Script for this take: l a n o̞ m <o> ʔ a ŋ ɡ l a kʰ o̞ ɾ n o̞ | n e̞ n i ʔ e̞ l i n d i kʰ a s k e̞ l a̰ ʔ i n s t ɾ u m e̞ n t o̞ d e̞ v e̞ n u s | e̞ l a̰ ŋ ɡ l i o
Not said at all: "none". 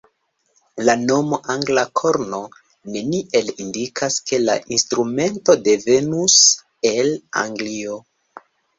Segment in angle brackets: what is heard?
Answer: o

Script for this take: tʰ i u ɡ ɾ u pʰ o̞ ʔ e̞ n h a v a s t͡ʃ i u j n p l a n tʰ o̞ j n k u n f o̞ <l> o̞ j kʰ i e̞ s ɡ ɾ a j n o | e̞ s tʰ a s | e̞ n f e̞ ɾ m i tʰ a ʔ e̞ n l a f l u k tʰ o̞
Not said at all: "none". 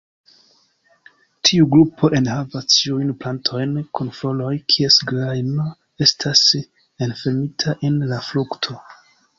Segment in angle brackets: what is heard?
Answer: l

